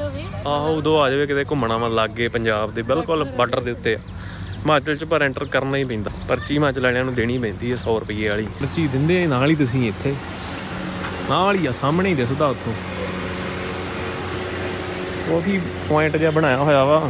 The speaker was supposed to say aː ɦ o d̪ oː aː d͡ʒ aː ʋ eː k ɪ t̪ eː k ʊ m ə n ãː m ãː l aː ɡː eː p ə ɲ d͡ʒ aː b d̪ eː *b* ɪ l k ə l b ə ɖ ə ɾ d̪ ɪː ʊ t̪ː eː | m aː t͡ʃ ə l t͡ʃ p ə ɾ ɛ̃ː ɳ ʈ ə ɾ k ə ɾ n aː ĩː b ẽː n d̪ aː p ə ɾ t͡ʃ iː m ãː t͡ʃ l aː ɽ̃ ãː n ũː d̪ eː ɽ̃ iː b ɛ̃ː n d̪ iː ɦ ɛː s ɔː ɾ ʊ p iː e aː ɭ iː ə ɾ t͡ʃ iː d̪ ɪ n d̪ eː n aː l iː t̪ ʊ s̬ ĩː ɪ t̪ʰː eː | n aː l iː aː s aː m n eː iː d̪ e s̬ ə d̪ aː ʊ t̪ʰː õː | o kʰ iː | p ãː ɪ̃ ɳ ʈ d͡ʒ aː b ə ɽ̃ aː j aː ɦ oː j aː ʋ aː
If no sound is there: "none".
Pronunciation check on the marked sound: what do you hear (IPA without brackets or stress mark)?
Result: b